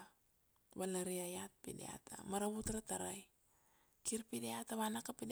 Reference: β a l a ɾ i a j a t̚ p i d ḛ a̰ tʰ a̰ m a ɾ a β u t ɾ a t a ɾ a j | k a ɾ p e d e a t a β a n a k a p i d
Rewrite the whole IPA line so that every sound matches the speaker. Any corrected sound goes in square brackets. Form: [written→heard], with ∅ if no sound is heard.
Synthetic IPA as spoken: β a l a ɾ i a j a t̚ p i d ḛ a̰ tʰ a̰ m a ɾ a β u t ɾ a t a ɾ a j | k [a→i] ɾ p [e→i] d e a t a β a n a k a p i d

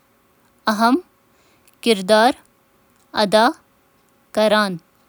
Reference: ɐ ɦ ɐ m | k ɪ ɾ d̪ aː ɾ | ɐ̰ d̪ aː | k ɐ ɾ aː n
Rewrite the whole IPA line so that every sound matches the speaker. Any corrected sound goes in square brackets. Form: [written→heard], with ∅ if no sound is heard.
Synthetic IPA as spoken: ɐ ɦ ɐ m | k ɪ ɾ d̪ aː ɾ | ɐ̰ d̪ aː | k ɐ ɾ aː n

